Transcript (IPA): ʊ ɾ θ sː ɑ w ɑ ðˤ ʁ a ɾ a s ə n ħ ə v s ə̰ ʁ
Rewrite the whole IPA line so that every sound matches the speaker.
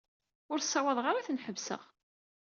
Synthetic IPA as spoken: ʊ ɾ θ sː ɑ w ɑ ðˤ ʁ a ɾ a θ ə n ħ ə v s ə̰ ʁ